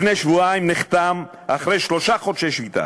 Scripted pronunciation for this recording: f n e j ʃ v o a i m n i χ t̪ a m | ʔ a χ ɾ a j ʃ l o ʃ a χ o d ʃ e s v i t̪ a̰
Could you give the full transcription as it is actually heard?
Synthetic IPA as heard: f n e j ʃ v u a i m n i χ t̪ a m | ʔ a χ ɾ e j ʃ l o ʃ a χ o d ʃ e ʃ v i t̪ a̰